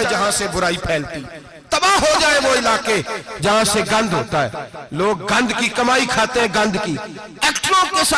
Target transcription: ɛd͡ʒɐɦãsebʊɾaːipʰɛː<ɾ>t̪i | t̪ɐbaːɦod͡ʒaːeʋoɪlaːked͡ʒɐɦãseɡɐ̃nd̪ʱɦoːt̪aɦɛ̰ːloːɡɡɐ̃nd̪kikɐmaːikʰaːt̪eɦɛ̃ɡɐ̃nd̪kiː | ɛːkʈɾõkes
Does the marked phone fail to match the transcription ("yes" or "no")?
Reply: yes